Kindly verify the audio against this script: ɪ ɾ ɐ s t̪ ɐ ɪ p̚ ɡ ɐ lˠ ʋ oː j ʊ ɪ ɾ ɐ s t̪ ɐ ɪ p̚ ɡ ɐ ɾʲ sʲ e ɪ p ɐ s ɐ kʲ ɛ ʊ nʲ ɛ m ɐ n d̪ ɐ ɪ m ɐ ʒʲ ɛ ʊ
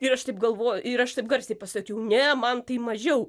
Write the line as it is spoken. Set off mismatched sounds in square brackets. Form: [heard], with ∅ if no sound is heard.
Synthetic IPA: ɪ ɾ ɐ [ʃ] t̪ ɐ ɪ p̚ ɡ ɐ lˠ ʋ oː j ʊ ɪ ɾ ɐ [ʃ] t̪ ɐ ɪ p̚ ɡ ɐ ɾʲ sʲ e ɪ p ɐ s ɐ kʲ ɛ ʊ nʲ ɛ m ɐ n [t̪] ɐ ɪ m ɐ ʒʲ ɛ ʊ